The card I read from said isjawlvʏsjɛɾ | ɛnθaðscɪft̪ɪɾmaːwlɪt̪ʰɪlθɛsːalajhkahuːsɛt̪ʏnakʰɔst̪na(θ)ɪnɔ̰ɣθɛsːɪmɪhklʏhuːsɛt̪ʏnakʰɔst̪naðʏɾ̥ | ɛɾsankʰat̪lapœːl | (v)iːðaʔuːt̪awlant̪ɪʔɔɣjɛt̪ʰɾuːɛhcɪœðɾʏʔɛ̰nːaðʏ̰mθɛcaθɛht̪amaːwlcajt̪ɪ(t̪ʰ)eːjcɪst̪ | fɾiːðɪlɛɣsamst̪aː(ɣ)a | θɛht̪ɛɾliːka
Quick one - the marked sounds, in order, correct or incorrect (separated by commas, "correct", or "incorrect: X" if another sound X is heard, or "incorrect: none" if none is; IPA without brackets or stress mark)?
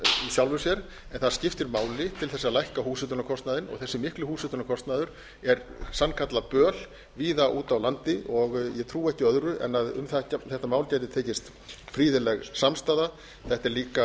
incorrect: ð, correct, correct, incorrect: ð